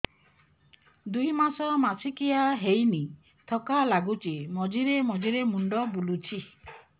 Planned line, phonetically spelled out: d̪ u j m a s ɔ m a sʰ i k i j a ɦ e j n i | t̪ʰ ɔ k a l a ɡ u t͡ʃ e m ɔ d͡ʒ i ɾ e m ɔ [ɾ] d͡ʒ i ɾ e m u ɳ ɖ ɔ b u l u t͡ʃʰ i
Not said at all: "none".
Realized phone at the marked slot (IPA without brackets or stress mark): none